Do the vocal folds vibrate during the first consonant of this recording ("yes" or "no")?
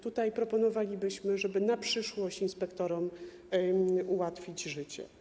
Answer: no